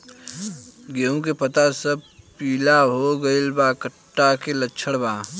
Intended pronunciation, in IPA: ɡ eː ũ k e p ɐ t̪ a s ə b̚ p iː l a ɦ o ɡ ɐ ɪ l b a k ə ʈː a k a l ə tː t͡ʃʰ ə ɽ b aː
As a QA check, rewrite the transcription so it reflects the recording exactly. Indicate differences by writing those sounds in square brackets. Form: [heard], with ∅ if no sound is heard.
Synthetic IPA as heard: ɡ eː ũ k e p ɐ t̪ a s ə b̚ p iː l a ɦ o ɡ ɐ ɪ l b a k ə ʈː a k [e] l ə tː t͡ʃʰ ə ɽ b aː